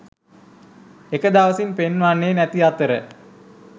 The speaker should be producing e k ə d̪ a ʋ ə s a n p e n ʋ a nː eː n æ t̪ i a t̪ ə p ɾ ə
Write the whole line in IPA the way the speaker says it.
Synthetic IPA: e k ə d̪ a ʋ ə s i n p e n ʋ a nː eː n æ t̪ i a t̪ ə ɾ ə